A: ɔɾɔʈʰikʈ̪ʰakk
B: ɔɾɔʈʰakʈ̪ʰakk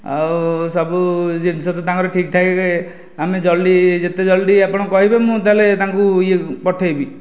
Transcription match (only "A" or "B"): A